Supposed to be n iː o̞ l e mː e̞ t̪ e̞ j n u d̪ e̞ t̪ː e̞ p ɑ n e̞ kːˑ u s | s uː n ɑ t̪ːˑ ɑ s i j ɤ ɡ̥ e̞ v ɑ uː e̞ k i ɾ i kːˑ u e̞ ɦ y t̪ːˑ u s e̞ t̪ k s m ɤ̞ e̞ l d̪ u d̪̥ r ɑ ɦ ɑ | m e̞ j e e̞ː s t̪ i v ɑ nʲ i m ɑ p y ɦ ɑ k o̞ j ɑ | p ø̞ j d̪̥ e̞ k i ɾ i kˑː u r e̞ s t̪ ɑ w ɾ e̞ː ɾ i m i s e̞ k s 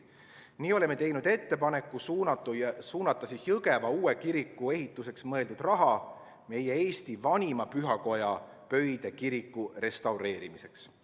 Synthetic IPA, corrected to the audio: n iː o̞ l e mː e̞ t̪ e̞ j n u d̪ e̞ t̪ː e̞ p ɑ n e̞ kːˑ u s | s uː n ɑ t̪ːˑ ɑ s i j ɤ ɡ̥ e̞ v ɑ uː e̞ k i ɾ i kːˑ u e̞ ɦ i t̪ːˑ u s e̞ k s m ɤ̞ e̞ l d̪ u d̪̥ r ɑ ɦ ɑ | m e̞ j e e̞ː s t̪ i v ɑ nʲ i m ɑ p y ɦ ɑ k o̞ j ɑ | p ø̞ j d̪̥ e̞ k i ɾ i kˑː u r e̞ s t̪ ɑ w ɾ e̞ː ɾ i m i s e̞ k s